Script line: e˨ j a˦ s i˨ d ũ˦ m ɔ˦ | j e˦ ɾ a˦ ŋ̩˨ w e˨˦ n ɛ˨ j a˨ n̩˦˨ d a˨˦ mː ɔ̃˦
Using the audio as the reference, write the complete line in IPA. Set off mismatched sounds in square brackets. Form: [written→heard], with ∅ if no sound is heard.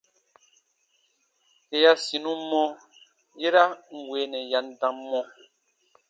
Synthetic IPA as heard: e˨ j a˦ s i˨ [d→n] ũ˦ m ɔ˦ | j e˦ ɾ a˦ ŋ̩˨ w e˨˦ n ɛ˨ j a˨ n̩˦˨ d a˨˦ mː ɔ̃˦